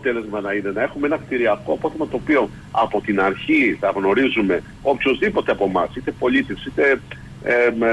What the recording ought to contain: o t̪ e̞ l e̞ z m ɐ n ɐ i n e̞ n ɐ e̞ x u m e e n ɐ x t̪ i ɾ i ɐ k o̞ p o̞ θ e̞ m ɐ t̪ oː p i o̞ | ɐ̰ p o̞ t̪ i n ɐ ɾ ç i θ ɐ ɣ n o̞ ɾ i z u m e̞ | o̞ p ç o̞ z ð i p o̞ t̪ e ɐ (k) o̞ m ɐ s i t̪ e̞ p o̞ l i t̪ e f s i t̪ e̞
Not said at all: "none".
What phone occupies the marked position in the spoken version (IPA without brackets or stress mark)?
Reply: p